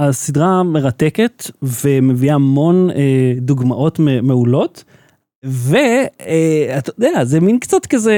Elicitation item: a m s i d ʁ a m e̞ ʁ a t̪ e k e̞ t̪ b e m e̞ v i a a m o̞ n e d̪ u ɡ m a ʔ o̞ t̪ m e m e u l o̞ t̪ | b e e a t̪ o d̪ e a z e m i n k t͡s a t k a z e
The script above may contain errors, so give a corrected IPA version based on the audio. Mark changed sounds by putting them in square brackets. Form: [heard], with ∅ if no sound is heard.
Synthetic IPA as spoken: a [∅] s i d ʁ a m e̞ ʁ a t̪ e k e̞ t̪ [v] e m e̞ v i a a m o̞ n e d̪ u ɡ m a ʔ o̞ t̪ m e m e u l o̞ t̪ | [v] e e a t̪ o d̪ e a z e m i n k t͡s a t k a z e